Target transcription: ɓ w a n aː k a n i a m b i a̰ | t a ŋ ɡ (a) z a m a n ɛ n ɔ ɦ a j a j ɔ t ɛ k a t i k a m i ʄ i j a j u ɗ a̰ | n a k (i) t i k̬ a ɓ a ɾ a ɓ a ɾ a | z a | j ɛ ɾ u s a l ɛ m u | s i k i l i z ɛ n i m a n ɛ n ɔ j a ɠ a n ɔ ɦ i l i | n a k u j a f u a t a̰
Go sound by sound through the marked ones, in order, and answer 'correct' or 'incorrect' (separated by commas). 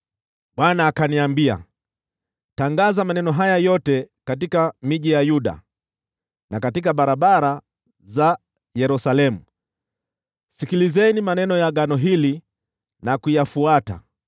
correct, incorrect